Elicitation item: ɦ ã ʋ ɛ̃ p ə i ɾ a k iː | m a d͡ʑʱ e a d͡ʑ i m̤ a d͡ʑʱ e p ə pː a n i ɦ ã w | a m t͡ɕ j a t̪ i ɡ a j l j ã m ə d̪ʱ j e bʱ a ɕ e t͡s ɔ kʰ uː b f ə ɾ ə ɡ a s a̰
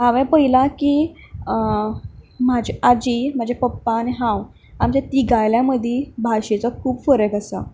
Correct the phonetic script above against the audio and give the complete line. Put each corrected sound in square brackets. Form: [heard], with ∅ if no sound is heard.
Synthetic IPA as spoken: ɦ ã ʋ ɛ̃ p ə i [l] a k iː | m a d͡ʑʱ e a d͡ʑ i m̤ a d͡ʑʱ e p ə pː a n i ɦ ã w | a m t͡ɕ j a t̪ i ɡ a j l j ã m ə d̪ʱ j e bʱ a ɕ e t͡s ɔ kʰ uː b f ə ɾ ə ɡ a s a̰